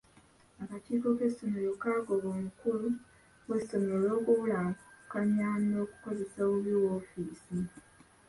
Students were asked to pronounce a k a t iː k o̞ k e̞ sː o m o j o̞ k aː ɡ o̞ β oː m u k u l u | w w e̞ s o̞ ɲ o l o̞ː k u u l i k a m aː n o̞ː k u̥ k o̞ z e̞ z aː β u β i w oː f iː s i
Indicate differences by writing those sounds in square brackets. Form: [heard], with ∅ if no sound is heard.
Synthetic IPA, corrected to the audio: a k a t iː k o̞ k e̞ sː o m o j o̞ k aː ɡ o̞ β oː m u k u l u | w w e̞ s o̞ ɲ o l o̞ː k u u l [a] k a [ɲ] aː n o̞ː k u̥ k o̞ z e̞ [s] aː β u β i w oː f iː s i

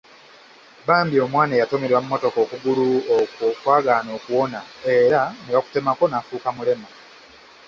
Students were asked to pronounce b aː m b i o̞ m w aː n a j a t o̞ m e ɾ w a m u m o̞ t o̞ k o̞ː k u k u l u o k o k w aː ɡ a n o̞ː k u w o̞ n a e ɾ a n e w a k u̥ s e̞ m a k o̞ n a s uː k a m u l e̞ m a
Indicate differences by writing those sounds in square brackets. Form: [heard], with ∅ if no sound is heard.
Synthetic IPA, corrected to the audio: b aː m b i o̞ m w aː n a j a t o̞ m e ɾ w a m u m o̞ t o̞ k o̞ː k u [ɡ] u l u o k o k w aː ɡ a n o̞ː k u w o̞ n a e ɾ a n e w a k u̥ [t] e̞ m a k o̞ n a [f] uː k a m u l e̞ m a

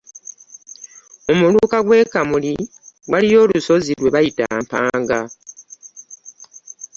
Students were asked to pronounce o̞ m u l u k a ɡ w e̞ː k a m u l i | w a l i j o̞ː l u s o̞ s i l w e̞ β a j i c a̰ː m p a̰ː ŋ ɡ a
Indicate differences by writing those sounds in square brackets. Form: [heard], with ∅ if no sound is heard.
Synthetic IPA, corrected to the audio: o̞ m u l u k a ɡ w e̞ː k a m u l i | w a l i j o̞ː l u s o̞ [z] i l w e̞ β a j i [t] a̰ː m p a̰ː ŋ ɡ a

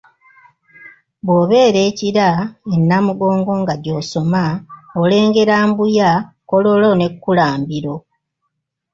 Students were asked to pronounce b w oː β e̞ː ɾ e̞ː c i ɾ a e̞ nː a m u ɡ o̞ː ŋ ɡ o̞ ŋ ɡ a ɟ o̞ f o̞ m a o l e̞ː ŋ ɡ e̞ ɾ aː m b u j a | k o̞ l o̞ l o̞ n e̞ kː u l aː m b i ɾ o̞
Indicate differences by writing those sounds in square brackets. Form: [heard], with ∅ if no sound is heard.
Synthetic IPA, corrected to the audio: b w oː β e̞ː ɾ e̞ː c i ɾ a e̞ nː a m u ɡ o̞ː ŋ ɡ o̞ ŋ ɡ a ɟ o̞ [s] o̞ m a o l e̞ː ŋ ɡ e̞ ɾ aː m b u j a | k o̞ l o̞ l o̞ n e̞ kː u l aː m b i ɾ o̞

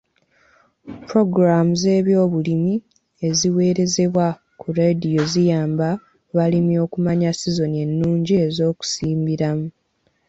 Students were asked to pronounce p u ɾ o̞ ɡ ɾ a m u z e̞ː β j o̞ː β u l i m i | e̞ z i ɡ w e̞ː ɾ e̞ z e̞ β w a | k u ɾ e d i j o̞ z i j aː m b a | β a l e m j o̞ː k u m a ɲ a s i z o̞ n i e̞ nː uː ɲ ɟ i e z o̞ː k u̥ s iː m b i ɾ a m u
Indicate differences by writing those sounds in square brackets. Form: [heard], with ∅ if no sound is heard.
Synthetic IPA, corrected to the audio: p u ɾ o̞ ɡ ɾ a m u z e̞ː β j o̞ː β u l i m i | e̞ z i [∅] w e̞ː ɾ e̞ z e̞ β w a | k u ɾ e d i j o̞ z i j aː m b a | β a l [i] m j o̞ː k u m a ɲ a s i z o̞ n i e̞ nː uː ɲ ɟ i e z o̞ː k u̥ s iː m b i ɾ a m u

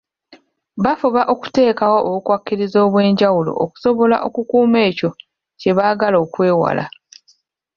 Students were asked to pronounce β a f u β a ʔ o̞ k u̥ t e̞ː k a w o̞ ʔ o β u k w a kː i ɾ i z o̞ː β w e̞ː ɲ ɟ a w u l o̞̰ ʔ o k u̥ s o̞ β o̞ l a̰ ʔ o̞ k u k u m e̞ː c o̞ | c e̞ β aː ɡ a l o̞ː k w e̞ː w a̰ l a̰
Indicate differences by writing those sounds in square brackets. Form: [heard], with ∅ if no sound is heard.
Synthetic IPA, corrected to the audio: β a f u β a ʔ o̞ k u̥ t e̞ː k a w o̞ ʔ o β u k w a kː i ɾ i z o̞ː β w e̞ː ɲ ɟ a w u l o̞̰ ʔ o k u̥ s o̞ β o̞ l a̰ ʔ o̞ k u k [uː] m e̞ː c o̞ | c e̞ β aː ɡ a l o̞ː k w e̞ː w a̰ l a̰

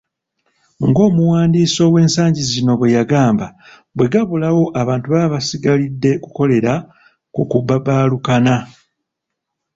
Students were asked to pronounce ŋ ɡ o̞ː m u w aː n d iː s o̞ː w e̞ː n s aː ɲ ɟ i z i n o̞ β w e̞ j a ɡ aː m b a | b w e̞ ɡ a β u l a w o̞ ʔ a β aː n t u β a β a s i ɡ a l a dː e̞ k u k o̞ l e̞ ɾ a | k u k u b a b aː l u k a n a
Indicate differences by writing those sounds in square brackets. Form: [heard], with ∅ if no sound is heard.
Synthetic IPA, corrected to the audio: ŋ ɡ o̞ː m u w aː n d iː s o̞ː w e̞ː n s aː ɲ ɟ i z i n o̞ β w e̞ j a ɡ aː m b a | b w e̞ ɡ a β u l a w o̞ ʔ a β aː n t u β a β a s i ɡ a l [i] dː e̞ k u k o̞ l e̞ ɾ a | k u k u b a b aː l u k a n a

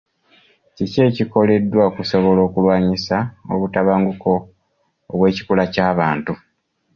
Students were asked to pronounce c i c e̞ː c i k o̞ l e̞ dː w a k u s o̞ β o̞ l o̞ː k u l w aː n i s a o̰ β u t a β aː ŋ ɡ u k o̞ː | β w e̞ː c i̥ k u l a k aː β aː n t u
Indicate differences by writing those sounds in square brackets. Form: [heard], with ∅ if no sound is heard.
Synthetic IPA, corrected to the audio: c i c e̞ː c i k o̞ l e̞ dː w a k u s o̞ β o̞ l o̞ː k u l w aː [ɲ] i s a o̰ β u t a β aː ŋ ɡ u k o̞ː | β w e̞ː c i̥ k u l a [c] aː β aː n t u

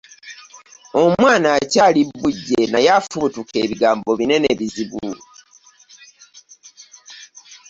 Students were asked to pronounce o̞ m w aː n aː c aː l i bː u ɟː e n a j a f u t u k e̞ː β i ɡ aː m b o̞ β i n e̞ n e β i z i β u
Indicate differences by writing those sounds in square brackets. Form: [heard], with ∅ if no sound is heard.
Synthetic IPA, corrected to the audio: o̞ m w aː n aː c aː l i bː u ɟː e n a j a f u t u k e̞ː β i ɡ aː m b o̞ β i n e̞ n e β i z i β u

